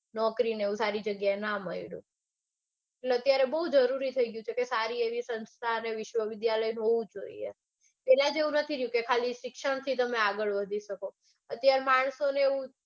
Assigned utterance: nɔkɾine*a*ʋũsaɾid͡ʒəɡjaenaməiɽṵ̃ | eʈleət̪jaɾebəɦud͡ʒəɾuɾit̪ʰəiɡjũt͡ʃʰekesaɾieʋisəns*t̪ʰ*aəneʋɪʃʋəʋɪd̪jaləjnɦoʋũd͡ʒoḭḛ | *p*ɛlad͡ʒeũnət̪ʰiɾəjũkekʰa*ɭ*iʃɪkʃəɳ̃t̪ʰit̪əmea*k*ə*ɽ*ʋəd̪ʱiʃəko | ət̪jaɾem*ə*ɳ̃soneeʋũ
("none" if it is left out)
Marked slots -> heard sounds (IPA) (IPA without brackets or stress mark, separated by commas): e, t̪ʰ, p, l, ɡ, ɭ, a